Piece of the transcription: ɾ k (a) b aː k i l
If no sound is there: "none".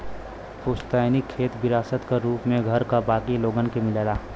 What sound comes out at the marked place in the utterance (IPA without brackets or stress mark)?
a